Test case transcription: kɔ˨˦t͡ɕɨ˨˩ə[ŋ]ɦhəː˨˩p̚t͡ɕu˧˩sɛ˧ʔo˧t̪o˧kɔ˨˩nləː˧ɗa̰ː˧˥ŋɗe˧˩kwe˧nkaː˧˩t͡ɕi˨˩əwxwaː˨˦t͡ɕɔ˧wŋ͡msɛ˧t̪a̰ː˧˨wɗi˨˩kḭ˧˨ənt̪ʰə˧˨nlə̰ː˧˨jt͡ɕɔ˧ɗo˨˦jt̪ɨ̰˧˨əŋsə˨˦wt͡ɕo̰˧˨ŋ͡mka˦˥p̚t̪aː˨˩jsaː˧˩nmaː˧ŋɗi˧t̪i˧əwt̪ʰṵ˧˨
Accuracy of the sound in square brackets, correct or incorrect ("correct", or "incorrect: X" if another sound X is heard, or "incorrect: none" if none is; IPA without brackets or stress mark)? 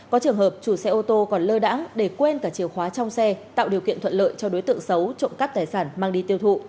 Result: correct